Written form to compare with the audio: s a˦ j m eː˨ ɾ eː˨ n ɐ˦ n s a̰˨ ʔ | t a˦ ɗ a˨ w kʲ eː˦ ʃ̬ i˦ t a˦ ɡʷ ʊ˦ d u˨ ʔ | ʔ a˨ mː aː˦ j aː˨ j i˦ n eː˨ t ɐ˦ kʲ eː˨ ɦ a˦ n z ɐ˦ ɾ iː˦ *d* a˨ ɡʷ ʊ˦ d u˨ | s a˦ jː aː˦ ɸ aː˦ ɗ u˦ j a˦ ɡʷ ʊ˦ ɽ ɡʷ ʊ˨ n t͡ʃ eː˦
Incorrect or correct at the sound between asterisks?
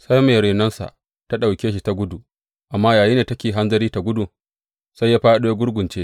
incorrect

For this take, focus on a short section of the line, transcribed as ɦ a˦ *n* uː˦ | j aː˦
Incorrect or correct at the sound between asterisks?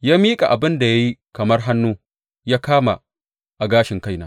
incorrect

